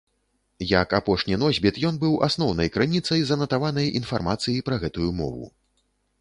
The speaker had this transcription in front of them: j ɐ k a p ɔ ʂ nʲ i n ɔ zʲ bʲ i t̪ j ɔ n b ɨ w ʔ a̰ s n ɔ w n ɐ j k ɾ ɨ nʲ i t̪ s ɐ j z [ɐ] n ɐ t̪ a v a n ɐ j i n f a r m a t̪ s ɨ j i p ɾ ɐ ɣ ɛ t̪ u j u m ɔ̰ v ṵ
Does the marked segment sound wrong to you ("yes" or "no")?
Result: no